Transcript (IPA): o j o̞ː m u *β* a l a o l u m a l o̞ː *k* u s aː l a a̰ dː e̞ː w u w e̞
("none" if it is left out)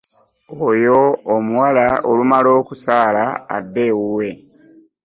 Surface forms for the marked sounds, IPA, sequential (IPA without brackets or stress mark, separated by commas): w, k